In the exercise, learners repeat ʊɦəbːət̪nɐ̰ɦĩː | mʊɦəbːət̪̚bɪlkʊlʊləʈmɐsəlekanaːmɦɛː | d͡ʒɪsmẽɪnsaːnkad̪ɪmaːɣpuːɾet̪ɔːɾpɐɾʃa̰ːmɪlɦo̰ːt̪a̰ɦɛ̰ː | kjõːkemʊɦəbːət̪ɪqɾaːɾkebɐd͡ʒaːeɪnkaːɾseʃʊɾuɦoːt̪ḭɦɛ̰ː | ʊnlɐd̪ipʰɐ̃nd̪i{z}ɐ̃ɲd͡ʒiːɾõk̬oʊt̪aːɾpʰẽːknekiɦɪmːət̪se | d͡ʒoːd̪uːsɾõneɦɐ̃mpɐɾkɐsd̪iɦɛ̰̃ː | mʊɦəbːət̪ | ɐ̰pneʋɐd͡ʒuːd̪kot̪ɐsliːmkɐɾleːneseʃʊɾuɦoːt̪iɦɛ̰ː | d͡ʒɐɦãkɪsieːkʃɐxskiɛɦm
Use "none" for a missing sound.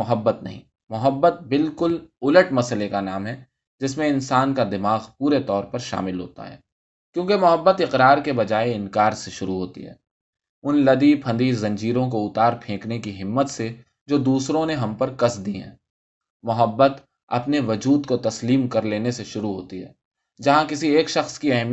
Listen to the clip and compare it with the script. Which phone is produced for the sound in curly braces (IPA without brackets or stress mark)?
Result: z